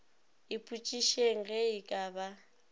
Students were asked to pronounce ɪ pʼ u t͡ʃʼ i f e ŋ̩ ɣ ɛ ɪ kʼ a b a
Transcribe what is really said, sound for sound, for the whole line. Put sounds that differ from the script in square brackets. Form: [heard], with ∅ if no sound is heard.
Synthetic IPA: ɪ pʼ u t͡ʃʼ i [ʃ] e ŋ̩ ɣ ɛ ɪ kʼ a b a